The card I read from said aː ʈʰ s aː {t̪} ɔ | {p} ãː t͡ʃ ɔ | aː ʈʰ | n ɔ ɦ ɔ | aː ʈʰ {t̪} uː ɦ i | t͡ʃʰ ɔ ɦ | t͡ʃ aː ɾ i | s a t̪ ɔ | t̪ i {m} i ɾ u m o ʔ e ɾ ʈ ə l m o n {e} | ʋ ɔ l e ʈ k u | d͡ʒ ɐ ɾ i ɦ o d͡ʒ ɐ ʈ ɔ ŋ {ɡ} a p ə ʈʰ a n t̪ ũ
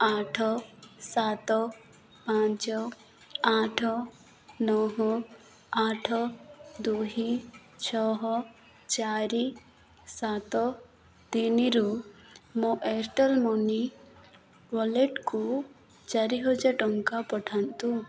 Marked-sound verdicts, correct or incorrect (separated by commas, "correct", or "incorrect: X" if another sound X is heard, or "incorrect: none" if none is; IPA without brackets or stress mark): correct, correct, incorrect: d̪, incorrect: n, incorrect: i, incorrect: k